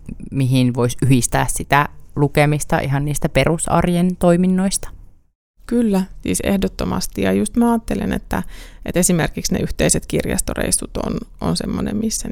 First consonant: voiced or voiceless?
voiced